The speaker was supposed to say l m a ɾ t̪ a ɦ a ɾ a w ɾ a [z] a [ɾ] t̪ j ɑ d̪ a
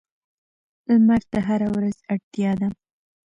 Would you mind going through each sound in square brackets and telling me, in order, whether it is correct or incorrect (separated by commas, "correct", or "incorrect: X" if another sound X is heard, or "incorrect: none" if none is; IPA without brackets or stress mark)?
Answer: correct, incorrect: ɽ